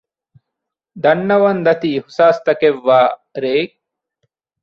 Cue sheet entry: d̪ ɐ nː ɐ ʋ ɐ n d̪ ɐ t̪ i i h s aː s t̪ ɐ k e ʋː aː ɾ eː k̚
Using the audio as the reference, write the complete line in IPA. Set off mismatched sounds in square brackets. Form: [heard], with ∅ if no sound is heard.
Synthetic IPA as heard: d̪ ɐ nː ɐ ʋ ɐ n d̪ ɐ t̪ i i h s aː s t̪ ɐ k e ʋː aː ɾ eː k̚